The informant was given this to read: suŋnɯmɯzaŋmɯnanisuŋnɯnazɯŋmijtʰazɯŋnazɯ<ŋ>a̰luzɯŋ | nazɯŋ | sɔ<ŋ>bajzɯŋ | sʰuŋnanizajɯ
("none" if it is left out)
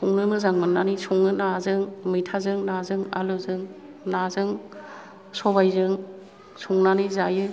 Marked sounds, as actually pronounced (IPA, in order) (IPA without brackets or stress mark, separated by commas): ŋ, none